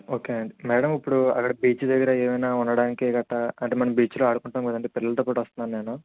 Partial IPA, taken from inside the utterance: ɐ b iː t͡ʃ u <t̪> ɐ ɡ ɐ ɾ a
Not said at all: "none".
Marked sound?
d̪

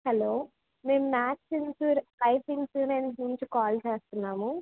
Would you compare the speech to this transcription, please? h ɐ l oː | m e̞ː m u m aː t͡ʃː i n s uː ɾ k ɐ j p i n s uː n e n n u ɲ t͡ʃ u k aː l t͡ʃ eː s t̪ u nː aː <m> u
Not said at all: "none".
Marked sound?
m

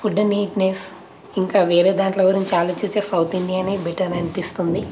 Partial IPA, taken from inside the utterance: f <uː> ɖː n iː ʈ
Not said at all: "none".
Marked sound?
u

